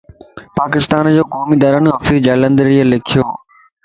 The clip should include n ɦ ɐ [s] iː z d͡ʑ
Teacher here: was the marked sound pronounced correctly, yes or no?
no